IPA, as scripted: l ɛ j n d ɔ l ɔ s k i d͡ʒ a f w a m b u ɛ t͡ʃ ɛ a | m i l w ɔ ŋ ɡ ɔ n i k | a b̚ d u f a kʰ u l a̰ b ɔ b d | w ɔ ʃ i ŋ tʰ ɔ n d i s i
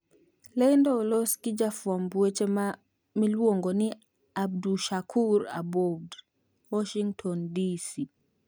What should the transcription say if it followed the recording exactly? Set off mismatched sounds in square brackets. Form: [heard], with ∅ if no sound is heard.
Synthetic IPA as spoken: l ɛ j n d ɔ l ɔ s k i d͡ʒ a f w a m b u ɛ t͡ʃ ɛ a | m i l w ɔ ŋ ɡ ɔ n i [∅] | a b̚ d u [ʃ] a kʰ u [ɾ] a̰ b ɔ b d | w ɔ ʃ i ŋ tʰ ɔ n d i s i